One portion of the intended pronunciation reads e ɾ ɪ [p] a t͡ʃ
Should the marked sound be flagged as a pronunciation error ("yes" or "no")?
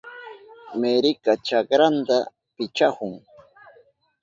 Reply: yes